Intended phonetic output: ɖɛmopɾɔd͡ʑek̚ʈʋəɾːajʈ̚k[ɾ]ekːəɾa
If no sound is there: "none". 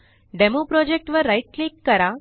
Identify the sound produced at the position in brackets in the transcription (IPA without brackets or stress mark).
l